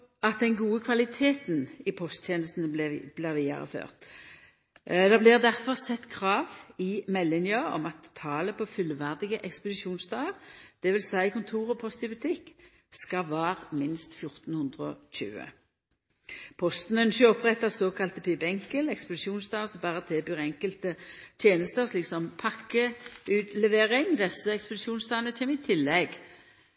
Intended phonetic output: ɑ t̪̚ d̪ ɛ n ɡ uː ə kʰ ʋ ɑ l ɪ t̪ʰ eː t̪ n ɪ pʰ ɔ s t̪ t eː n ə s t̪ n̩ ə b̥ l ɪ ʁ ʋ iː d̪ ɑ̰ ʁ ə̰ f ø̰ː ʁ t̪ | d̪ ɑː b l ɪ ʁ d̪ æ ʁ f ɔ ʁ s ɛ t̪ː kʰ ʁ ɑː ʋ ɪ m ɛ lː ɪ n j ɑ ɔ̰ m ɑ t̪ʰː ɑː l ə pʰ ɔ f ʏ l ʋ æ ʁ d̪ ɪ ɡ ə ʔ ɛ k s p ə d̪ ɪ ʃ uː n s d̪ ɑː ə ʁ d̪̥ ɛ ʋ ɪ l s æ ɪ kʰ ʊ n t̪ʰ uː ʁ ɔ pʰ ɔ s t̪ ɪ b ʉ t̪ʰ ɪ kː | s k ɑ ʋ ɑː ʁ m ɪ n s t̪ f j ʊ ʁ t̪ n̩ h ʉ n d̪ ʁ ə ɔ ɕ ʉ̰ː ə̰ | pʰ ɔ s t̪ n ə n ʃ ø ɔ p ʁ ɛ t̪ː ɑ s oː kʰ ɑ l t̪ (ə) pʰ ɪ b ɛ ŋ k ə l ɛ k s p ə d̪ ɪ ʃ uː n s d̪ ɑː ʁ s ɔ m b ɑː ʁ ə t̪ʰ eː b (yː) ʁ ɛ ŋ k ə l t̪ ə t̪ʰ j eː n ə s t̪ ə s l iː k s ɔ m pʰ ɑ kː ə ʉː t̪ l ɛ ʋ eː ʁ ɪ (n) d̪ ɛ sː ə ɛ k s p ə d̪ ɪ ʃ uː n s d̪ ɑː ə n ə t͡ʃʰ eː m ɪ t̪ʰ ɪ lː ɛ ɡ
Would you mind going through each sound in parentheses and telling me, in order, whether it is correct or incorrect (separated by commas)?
correct, correct, incorrect